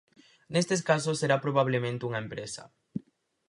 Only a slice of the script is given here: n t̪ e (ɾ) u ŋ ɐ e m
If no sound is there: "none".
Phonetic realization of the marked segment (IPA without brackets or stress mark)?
none